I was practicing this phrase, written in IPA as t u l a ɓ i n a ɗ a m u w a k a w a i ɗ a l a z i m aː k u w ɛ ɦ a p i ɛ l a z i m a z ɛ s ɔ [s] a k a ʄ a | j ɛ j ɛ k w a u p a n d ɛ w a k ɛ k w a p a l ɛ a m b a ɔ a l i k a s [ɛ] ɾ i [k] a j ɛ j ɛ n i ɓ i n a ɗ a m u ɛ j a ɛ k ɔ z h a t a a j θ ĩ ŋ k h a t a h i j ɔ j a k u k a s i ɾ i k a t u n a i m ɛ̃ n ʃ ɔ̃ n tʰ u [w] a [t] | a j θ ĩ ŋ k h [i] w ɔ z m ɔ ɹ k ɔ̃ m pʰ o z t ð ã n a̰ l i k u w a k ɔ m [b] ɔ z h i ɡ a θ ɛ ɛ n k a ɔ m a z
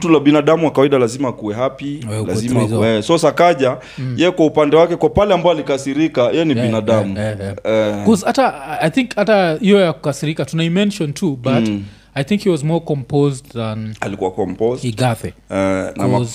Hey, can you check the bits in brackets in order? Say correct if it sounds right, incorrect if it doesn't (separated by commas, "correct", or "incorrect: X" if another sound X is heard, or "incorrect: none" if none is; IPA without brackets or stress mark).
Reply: correct, incorrect: i, correct, incorrect: b, correct, correct, incorrect: p